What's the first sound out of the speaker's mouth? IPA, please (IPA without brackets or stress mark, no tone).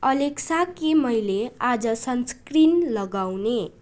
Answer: ʌ